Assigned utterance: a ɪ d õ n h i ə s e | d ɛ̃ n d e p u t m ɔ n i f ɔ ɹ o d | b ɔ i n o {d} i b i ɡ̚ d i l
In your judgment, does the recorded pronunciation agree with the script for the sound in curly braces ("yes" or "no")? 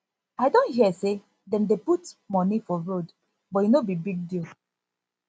no